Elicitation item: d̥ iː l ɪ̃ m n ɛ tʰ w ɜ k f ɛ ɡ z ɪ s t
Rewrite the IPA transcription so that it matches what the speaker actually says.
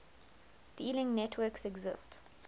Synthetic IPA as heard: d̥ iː l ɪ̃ ŋ n ɛ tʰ w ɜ k s ɛ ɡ z ɪ s t